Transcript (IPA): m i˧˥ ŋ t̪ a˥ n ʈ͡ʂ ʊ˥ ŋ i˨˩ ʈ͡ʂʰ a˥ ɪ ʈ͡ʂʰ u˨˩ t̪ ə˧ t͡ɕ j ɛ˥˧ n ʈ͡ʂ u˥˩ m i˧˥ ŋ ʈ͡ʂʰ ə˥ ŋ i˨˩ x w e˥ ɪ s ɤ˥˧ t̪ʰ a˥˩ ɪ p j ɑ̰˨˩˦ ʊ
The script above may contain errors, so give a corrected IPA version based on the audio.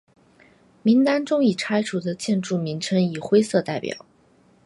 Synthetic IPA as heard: m i˧˥ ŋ t̪ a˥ n ʈ͡ʂ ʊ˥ ŋ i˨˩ ʈ͡ʂʰ a˥ ɪ ʈ͡ʂʰ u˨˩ d̪ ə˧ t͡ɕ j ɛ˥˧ n ʈ͡ʂ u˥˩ m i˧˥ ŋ ʈ͡ʂʰ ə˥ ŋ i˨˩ x w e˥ ɪ s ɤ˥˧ t̪ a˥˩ ɪ p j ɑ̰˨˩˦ ʊ